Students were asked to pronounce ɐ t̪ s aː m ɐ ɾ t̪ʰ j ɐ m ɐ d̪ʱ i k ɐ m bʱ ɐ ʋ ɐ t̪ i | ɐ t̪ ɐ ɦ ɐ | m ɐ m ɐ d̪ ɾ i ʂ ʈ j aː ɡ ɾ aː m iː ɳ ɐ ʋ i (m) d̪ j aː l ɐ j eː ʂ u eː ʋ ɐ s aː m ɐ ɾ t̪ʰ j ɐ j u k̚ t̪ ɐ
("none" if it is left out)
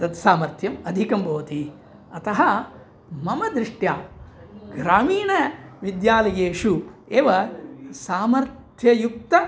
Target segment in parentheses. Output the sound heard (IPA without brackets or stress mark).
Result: none